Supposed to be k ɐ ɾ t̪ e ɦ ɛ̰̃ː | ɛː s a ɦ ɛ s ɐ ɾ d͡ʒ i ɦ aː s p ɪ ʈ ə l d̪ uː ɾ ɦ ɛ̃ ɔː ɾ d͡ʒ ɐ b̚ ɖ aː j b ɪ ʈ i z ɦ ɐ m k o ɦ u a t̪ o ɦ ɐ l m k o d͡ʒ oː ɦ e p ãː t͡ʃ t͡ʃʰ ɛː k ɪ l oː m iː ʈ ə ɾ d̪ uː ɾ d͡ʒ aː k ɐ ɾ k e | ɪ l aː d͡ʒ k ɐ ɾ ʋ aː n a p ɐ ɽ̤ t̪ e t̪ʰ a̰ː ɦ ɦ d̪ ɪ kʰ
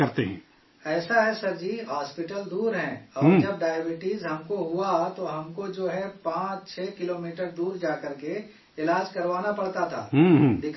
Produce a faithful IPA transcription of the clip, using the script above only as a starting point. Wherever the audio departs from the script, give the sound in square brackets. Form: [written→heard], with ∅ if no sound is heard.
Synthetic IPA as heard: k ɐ ɾ t̪ e ɦ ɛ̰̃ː | ɛː s a ɦ ɛ s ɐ ɾ d͡ʒ i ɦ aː s p ɪ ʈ ə l d̪ uː ɾ ɦ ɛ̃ ɔː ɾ d͡ʒ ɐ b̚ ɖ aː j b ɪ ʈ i z ɦ ɐ m k o ɦ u a t̪ o ɦ ɐ [l→∅] m k o d͡ʒ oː ɦ [e→ɛ] p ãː t͡ʃ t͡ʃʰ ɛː k ɪ l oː m iː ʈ ə ɾ d̪ uː ɾ d͡ʒ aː k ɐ ɾ k e | ɪ l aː d͡ʒ k ɐ ɾ ʋ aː n a p ɐ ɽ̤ t̪ [e→a] t̪ʰ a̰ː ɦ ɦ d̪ ɪ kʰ